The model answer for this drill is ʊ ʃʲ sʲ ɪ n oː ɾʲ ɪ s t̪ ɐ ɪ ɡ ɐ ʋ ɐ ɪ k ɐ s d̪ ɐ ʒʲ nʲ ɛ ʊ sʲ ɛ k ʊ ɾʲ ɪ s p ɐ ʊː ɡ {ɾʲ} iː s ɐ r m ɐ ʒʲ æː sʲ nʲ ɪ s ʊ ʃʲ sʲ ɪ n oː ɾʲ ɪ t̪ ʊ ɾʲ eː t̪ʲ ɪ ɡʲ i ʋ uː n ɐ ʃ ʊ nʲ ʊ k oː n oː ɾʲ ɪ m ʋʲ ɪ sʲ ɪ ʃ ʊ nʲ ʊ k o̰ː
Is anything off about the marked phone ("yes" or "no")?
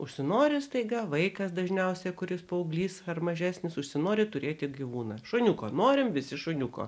yes